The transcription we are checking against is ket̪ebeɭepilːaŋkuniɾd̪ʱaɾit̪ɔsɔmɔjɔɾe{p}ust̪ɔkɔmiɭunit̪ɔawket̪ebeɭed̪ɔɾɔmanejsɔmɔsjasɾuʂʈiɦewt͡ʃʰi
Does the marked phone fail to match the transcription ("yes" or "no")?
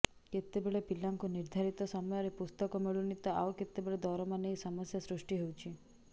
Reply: no